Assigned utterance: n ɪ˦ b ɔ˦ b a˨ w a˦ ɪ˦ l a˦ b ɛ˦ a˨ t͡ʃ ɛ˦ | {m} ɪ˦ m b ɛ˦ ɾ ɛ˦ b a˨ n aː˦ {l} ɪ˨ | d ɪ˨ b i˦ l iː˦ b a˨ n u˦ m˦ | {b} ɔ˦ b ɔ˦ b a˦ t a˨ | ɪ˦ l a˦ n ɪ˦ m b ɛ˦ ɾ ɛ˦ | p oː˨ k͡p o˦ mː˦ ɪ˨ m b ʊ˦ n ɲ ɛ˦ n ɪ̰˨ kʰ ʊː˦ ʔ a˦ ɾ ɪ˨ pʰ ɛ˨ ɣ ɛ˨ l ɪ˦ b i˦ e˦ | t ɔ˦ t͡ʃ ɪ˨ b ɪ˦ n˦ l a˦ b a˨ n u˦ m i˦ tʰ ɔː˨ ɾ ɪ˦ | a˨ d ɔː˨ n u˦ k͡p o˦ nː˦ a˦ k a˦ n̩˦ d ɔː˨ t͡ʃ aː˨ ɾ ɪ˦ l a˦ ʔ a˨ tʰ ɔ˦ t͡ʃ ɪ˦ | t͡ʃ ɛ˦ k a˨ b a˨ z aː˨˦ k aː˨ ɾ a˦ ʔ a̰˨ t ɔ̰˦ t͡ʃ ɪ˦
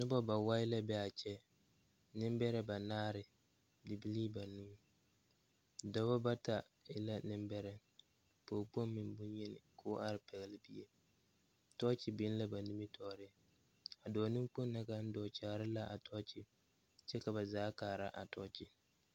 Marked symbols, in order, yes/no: no, no, no

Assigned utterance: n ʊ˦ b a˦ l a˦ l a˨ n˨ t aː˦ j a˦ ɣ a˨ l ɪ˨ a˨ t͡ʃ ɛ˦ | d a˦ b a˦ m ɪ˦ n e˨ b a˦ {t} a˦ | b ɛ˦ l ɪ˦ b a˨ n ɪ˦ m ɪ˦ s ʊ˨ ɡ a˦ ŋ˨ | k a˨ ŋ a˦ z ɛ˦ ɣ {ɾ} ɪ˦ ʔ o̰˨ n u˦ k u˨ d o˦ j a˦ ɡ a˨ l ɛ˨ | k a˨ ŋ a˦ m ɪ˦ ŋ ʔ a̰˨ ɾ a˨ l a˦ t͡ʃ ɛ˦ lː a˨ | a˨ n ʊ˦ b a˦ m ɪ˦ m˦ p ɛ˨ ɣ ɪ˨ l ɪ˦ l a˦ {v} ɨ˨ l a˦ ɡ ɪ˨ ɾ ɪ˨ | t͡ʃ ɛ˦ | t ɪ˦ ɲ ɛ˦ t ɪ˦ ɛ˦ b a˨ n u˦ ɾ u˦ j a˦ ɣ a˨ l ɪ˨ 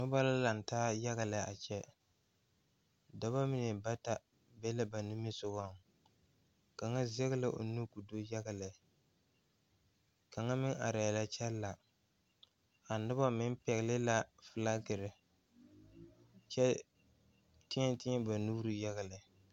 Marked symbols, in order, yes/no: yes, no, no

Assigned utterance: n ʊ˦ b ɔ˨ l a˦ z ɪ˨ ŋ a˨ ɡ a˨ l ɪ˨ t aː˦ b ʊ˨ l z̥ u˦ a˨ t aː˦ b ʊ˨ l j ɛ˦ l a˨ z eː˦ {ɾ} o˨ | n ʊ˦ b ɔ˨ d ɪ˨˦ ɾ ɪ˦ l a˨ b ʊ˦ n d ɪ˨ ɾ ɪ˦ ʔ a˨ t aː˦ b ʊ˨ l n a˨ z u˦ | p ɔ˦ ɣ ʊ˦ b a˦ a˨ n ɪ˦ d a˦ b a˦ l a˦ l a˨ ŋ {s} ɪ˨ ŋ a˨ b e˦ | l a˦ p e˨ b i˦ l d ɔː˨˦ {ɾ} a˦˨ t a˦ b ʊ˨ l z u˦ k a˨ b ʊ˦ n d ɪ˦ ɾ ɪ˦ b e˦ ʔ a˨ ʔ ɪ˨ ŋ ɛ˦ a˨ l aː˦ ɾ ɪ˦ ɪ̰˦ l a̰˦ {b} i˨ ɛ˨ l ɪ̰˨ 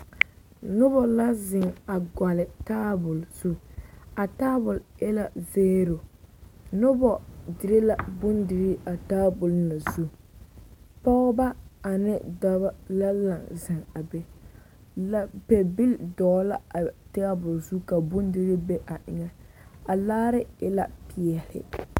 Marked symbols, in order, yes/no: yes, no, no, no

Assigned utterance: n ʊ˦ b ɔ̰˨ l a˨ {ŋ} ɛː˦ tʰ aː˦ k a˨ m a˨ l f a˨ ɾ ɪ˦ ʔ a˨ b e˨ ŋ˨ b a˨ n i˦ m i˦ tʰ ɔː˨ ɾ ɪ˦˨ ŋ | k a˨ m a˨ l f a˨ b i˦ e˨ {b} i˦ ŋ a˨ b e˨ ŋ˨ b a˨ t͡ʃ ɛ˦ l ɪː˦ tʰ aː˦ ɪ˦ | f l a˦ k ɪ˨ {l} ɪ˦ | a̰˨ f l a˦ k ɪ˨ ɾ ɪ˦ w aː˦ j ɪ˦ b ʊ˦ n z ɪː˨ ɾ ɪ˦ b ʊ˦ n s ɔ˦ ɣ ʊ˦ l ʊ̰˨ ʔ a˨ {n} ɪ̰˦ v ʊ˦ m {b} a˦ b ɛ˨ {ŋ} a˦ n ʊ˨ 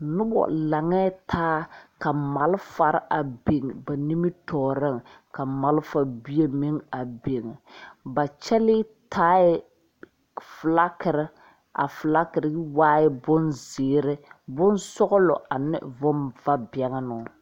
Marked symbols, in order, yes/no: yes, no, no, yes, no, yes

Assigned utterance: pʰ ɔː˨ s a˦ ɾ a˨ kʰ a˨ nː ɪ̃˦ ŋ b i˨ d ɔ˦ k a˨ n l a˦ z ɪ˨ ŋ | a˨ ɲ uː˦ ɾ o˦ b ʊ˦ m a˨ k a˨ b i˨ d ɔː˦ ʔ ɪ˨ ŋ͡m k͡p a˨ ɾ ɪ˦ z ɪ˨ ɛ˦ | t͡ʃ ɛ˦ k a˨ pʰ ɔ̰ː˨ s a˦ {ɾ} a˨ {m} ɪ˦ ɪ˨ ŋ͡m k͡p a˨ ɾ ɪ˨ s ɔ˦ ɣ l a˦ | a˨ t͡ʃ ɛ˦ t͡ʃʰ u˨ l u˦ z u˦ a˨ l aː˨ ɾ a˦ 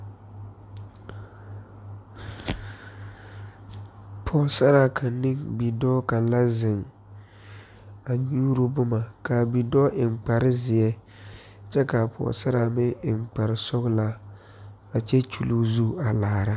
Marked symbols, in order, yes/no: yes, yes

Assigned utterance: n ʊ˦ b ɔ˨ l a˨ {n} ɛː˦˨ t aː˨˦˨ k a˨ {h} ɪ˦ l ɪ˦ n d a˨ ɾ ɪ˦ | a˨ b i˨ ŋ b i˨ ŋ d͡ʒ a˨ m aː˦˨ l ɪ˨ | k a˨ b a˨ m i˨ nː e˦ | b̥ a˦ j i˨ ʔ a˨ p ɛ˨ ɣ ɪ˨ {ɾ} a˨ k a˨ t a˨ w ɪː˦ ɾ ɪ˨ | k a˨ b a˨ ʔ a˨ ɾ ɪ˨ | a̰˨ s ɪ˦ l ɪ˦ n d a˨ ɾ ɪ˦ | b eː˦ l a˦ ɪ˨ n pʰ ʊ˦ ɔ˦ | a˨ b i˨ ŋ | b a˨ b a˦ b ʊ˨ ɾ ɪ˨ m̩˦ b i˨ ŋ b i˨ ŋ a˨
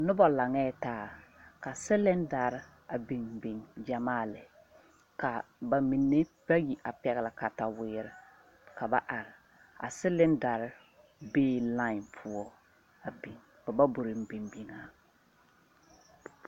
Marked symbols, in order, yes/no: no, no, no

